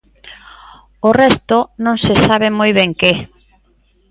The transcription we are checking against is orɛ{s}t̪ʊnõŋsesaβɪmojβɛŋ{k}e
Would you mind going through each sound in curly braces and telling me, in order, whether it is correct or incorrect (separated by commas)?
correct, correct